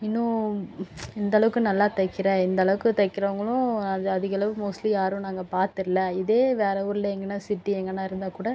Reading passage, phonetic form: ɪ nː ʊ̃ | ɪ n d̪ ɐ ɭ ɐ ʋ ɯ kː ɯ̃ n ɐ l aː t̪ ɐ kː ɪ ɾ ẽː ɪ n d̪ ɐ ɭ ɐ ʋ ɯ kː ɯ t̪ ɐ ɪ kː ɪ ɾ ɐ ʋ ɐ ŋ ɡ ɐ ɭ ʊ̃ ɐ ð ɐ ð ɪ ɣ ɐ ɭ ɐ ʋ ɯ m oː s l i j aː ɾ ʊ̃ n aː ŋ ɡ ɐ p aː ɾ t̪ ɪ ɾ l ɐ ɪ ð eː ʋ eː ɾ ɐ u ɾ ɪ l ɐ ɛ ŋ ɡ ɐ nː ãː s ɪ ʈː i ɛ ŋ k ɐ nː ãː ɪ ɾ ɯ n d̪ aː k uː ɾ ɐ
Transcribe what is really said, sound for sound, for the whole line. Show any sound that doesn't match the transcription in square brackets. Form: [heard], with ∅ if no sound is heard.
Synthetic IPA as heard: ɪ nː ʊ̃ | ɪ n d̪ ɐ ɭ ɐ ʋ ɯ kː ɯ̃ n ɐ [lː] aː t̪ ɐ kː ɪ ɾ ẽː ɪ n d̪ ɐ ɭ ɐ ʋ ɯ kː ɯ t̪ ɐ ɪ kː ɪ ɾ ɐ ʋ ɐ ŋ ɡ ɐ ɭ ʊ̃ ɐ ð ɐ ð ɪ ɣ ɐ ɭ ɐ ʋ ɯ m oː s l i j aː ɾ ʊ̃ n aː ŋ ɡ ɐ p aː ɾ t̪ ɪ ɾ l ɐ ɪ ð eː ʋ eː ɾ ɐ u ɾ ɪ l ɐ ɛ ŋ ɡ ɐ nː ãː s ɪ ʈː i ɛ ŋ [ɡ] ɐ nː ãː ɪ ɾ ɯ n d̪ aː k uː [ɽ] ɐ